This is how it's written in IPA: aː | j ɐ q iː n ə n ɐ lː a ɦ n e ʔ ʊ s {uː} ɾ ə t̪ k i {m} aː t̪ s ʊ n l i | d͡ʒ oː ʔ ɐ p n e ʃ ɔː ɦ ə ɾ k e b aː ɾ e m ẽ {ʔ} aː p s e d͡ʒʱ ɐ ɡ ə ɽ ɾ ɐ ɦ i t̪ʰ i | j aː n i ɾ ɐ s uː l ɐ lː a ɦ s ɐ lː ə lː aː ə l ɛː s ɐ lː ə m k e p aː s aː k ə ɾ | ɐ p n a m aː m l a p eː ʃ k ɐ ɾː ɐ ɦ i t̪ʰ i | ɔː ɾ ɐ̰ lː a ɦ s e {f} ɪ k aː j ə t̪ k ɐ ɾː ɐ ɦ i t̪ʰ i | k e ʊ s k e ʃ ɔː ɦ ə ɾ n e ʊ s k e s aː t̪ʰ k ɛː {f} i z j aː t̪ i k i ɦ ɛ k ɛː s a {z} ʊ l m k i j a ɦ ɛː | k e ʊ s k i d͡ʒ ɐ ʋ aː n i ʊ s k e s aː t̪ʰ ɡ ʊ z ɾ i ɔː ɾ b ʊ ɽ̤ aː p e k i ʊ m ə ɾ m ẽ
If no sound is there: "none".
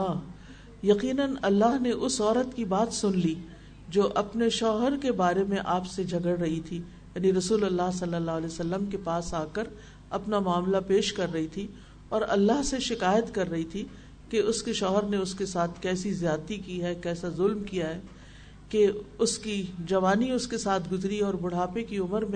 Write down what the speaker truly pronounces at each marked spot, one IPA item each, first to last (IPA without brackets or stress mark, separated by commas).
ɔː, b, ʔ, ʃ, s, z